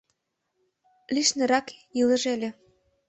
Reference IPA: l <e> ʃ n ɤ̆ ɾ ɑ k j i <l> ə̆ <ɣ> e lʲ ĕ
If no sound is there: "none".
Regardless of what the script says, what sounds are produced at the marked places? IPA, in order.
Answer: i, l, ʒ

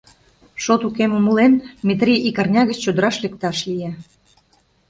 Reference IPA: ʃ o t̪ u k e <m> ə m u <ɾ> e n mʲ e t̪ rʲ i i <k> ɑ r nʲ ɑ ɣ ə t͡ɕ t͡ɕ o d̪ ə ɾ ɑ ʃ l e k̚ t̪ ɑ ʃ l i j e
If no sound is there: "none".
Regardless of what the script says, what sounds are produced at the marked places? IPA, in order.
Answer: m, l, k

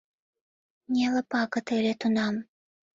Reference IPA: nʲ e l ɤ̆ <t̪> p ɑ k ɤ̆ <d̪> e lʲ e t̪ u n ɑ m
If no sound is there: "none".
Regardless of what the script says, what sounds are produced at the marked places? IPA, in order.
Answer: none, t̪

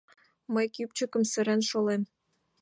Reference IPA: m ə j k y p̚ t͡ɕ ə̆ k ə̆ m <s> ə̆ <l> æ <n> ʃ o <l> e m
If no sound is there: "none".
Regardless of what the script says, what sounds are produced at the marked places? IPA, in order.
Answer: s, ɾ, n, l

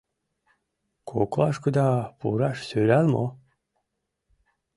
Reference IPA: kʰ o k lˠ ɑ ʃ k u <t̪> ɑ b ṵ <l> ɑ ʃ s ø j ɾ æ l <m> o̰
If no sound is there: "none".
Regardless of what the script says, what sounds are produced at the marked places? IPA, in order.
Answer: d̪, ɾ, m

